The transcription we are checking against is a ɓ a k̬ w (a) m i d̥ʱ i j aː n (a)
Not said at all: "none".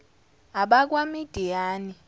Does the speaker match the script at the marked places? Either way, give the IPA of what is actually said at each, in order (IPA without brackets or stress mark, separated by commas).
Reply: a, i